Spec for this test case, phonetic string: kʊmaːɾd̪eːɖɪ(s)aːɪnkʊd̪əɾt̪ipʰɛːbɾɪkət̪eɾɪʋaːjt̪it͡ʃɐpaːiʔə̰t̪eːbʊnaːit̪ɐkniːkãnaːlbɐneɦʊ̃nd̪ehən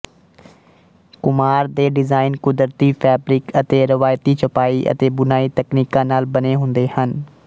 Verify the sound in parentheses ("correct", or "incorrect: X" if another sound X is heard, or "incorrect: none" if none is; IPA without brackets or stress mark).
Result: incorrect: z